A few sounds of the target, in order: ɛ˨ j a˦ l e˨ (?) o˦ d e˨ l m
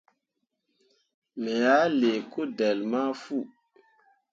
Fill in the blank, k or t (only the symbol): k